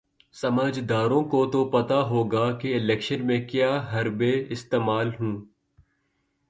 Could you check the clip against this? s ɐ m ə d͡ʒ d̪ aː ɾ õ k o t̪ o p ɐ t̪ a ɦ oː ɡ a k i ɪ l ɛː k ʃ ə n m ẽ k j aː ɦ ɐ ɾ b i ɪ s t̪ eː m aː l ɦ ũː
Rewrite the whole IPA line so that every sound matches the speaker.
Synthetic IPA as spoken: s ɐ m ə d͡ʒ d̪ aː ɾ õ k o t̪ o p ɐ t̪ a ɦ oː ɡ a k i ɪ l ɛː k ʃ ə n m ẽ k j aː ɦ ɐ ɾ b e ɪ s t̪ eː m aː l ɦ ũː